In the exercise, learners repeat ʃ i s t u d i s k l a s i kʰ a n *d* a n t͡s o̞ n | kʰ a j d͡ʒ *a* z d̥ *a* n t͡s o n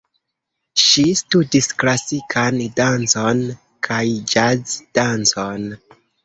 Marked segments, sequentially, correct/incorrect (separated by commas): correct, correct, correct